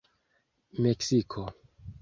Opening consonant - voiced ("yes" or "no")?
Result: yes